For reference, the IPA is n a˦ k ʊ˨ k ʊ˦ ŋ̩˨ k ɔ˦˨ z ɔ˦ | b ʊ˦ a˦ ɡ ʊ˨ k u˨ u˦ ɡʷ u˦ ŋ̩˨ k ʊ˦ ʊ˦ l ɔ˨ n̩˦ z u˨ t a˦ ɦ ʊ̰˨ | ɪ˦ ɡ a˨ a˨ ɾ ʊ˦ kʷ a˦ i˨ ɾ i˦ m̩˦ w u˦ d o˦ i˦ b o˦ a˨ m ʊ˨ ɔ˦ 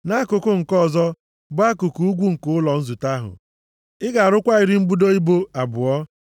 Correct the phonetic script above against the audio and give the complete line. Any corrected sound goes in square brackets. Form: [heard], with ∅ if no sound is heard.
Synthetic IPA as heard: n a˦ k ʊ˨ k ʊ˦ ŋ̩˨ k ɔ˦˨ z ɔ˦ | b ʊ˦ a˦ [k] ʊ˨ k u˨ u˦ ɡʷ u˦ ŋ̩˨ k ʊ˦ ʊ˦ l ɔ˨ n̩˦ z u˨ t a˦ ɦ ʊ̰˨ | ɪ˦ ɡ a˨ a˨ ɾ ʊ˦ kʷ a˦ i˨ ɾ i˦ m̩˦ [b] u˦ d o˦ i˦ b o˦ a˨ [b] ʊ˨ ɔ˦